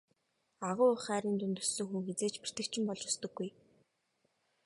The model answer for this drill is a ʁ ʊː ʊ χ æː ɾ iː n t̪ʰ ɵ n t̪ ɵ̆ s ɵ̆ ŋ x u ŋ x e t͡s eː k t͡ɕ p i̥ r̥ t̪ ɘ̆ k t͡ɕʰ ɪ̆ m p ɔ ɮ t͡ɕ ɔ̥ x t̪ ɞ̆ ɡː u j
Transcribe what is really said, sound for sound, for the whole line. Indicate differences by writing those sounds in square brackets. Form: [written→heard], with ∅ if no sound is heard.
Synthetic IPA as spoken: a ʁ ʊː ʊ χ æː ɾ iː n [t̪ʰ→t̪] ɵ n t̪ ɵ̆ s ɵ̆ ŋ x u ŋ x e t͡s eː [k→∅] t͡ɕ p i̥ r̥ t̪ ɘ̆ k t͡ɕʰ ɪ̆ m p ɔ ɮ t͡ɕ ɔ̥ [x→s] t̪ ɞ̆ ɡː u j